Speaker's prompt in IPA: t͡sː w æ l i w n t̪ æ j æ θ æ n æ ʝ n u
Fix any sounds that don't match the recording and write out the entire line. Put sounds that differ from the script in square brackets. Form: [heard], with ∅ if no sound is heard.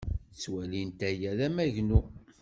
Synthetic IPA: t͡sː w æ l i [∅] n t̪ æ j æ [ð] æ [m] æ ʝ n u